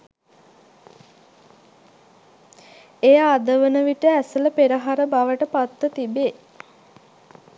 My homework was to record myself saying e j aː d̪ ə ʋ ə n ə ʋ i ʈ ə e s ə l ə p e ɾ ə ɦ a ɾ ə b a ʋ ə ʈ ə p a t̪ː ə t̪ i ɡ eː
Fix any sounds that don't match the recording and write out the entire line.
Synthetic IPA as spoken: e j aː d̪ ə ʋ ə n ə ʋ i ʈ ə æ s ə l ə p e ɾ ə ɦ a ɾ ə b a ʋ ə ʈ ə p a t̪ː ə t̪ i b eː